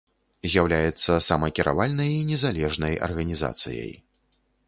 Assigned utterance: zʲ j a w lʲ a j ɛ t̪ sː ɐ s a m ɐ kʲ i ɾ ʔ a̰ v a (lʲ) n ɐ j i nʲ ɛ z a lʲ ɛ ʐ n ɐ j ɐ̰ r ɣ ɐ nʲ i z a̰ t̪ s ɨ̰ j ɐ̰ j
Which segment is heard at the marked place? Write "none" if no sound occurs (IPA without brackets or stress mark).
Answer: lʲ